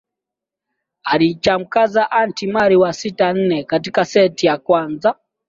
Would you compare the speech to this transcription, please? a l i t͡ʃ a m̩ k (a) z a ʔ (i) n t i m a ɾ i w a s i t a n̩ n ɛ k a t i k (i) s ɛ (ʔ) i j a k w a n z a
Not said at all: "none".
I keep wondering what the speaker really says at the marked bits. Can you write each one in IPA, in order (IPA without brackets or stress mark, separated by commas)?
a, a, a, t